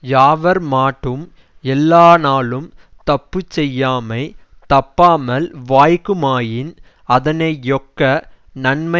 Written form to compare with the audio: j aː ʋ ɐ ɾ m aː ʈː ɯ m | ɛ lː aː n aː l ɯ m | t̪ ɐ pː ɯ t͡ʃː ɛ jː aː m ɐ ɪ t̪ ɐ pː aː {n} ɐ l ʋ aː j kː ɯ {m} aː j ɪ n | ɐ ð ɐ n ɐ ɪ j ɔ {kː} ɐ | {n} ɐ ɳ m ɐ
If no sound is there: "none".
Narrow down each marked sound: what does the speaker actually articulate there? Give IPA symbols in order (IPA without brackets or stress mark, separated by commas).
m, m, kː, n